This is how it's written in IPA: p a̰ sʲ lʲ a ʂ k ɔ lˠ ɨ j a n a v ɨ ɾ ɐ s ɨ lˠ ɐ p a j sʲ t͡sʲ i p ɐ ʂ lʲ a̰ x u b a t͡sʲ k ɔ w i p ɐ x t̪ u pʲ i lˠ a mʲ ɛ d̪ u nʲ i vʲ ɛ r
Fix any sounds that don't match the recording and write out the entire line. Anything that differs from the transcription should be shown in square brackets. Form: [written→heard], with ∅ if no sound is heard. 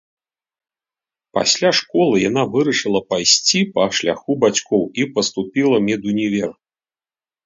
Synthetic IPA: p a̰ sʲ lʲ a ʂ k ɔ lˠ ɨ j a n a v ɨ ɾ ɐ [s→ʂ] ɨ lˠ ɐ p a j sʲ t͡sʲ i p ɐ ʂ lʲ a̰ x u b a t͡sʲ k ɔ w i p ɐ [x→s] t̪ u pʲ i lˠ [a→ɐ] mʲ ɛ d̪ u nʲ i vʲ ɛ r

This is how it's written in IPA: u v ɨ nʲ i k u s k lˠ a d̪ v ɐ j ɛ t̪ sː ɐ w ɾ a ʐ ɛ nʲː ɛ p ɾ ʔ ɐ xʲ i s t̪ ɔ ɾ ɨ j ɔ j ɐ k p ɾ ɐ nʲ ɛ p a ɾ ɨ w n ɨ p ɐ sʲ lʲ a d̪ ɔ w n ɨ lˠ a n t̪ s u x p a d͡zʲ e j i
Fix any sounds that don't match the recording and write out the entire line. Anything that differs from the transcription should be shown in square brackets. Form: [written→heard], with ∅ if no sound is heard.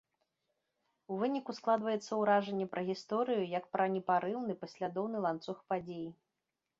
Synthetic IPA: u v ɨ nʲ i k u s k lˠ a d̪ v ɐ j ɛ t̪ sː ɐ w ɾ a ʐ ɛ nʲː ɛ p ɾ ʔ ɐ [xʲ→ɣʲ] i s t̪ ɔ ɾ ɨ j [ɔ→u] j ɐ k p ɾ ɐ nʲ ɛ p a ɾ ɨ w n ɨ p ɐ sʲ lʲ a d̪ ɔ w n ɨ lˠ a n t̪ s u x p a d͡zʲ e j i

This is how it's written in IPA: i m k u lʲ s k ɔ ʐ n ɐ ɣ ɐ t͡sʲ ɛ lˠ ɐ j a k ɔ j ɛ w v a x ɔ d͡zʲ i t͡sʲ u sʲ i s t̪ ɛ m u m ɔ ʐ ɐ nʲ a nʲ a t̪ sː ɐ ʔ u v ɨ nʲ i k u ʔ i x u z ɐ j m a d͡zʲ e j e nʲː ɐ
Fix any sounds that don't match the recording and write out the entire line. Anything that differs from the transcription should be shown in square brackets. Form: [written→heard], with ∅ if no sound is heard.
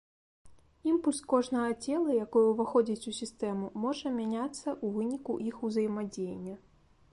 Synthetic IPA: i m [k→p] u lʲ s k ɔ ʐ n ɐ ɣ ɐ t͡sʲ ɛ lˠ ɐ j a k ɔ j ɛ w v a x ɔ d͡zʲ i t͡sʲ u sʲ i s t̪ ɛ m u m ɔ ʐ ɐ [nʲ→mʲ] a nʲ a t̪ sː ɐ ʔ u v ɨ nʲ i k u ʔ i x u z ɐ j m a d͡zʲ e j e nʲː ɐ

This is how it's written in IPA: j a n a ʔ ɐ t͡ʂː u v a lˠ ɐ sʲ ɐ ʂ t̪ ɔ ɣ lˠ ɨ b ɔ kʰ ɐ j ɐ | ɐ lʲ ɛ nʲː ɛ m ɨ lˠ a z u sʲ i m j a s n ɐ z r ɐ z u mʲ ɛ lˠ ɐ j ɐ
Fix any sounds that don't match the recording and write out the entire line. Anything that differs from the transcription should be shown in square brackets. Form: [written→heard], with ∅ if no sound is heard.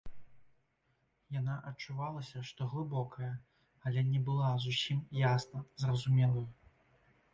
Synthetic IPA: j a n a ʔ ɐ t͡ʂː u v a lˠ ɐ sʲ ɐ ʂ t̪ ɔ ɣ lˠ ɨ b ɔ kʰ ɐ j ɐ | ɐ lʲ ɛ [nʲː→nʲ] ɛ [m→b] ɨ lˠ a z u sʲ i m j a s n ɐ z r ɐ z u mʲ ɛ lˠ ɐ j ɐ

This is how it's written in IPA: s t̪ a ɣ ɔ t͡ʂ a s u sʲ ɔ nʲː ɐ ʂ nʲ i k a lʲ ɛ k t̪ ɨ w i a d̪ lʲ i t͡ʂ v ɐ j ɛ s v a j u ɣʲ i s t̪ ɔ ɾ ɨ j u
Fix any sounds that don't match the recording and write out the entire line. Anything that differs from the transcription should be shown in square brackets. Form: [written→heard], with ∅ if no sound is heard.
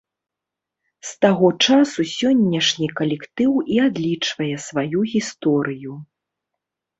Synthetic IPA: s t̪ a ɣ ɔ t͡ʂ a s u sʲ ɔ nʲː ɐ ʂ nʲ i k [a→ɐ] lʲ ɛ k t̪ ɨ w i a d̪ lʲ i t͡ʂ v ɐ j ɛ s v a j u ɣʲ i s t̪ ɔ ɾ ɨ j u

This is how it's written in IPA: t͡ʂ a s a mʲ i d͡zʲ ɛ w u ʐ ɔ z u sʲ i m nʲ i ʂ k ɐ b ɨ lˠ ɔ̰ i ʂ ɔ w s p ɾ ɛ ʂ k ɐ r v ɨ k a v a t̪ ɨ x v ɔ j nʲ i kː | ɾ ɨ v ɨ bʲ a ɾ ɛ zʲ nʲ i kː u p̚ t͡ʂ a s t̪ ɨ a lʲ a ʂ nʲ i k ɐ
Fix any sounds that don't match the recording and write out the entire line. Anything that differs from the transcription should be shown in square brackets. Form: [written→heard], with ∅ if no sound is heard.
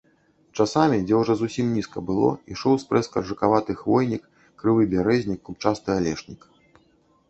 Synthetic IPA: t͡ʂ a s a mʲ i d͡zʲ ɛ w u ʐ ɔ z u sʲ i m nʲ i [ʂ→s] k ɐ b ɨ lˠ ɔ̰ i ʂ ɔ w s p ɾ ɛ [ʂ→s] k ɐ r [v→ʐ] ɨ k a v a t̪ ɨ x v ɔ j nʲ i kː | ɾ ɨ v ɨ bʲ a ɾ ɛ zʲ nʲ i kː u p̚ t͡ʂ a s t̪ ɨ a lʲ [a→ɛ] ʂ nʲ i k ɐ

